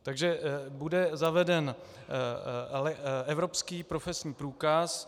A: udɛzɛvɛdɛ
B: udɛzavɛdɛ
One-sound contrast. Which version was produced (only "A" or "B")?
B